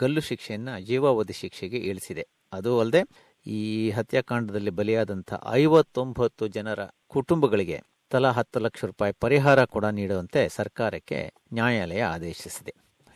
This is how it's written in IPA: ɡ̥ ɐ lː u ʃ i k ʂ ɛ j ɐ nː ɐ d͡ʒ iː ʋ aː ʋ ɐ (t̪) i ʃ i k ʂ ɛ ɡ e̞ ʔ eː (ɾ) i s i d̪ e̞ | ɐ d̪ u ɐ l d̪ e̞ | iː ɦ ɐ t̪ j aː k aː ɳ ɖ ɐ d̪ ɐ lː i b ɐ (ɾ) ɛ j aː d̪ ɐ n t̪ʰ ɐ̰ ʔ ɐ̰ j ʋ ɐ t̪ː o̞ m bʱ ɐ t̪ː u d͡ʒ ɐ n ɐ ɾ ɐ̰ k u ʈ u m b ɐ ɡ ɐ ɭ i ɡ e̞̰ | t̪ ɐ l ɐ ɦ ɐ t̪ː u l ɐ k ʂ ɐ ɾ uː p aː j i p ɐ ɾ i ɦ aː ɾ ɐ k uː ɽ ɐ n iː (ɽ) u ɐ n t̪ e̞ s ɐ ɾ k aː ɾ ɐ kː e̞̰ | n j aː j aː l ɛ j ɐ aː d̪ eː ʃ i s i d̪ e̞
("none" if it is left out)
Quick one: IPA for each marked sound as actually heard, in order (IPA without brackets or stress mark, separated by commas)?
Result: d̪, ɭ, l, ɽ